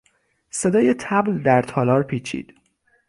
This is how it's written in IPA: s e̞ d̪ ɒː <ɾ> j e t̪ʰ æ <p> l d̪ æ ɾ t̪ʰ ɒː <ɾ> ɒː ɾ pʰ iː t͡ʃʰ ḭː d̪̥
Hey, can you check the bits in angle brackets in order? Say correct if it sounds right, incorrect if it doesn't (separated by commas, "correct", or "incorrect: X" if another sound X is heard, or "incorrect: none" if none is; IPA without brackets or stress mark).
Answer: incorrect: none, incorrect: b, incorrect: l